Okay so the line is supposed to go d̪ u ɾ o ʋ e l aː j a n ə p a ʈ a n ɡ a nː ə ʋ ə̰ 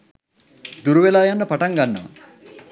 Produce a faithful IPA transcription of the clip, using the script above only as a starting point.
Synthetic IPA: d̪ u ɾ u ʋ e l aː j a nː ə p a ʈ a ŋ ɡ a nː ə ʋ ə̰